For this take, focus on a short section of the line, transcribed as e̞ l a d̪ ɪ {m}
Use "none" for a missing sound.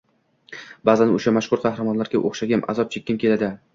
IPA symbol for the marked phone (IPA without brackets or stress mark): none